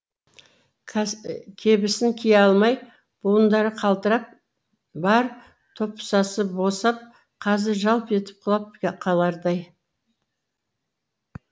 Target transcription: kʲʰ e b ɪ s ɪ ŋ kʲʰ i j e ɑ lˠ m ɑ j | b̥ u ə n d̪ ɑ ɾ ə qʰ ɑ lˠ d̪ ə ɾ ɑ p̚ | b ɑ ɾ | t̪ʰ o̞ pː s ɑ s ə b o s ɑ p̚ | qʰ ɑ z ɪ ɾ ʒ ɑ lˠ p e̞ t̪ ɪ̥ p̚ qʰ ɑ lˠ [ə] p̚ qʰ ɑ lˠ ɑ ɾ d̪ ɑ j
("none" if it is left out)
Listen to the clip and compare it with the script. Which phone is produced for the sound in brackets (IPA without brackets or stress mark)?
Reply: ɑ